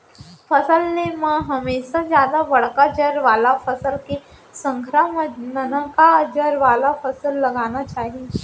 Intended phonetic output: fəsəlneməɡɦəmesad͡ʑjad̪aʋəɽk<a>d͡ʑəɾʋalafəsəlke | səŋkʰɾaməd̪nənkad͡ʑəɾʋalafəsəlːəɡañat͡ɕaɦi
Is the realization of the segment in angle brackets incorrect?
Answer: no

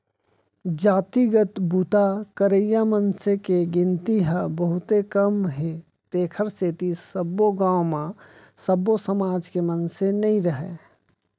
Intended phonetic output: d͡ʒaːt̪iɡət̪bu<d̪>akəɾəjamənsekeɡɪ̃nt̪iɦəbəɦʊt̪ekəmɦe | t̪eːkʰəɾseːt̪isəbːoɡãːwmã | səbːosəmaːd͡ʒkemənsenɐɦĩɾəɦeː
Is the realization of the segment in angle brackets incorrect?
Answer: yes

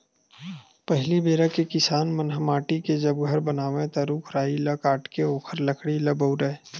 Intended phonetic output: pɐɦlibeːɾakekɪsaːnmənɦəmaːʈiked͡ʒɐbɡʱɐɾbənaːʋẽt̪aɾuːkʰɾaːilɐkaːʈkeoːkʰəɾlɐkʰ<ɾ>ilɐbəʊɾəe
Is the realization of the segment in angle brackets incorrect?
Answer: yes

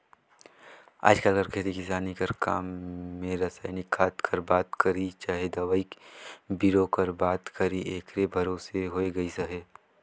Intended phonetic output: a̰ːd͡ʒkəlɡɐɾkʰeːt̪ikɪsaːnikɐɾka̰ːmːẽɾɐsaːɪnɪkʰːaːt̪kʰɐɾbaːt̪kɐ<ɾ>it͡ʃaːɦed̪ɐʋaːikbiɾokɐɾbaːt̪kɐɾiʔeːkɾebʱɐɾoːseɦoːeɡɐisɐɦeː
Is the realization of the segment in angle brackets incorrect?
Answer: no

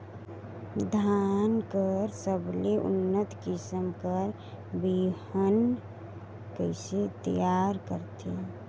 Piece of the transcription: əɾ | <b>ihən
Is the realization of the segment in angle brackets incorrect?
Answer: no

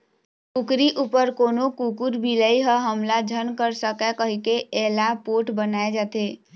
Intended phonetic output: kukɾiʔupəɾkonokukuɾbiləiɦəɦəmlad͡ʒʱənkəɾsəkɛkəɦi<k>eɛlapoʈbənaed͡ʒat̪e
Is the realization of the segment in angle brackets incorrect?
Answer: no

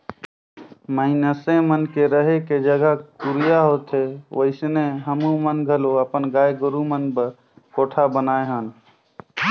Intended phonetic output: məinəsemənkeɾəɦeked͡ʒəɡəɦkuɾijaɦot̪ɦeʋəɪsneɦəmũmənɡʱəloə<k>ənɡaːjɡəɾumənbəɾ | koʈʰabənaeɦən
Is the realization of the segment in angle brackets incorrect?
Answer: yes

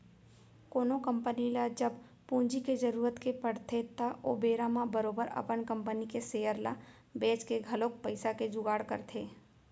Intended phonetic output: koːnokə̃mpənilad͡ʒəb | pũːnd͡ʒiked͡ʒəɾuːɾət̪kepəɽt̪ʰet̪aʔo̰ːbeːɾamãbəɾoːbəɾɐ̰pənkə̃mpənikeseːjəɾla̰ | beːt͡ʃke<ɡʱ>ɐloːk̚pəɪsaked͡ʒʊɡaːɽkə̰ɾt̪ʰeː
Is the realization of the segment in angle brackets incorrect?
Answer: no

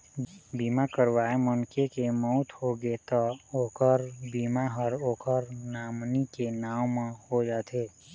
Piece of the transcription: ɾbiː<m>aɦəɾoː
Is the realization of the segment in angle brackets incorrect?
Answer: no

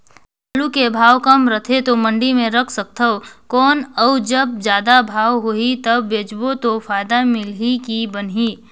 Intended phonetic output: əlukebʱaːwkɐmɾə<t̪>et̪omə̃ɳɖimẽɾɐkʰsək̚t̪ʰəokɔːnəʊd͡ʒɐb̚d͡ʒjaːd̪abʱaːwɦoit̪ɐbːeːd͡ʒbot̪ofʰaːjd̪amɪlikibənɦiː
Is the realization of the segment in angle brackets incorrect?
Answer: yes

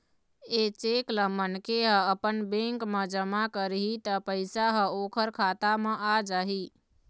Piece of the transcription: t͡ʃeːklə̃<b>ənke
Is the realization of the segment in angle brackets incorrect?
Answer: yes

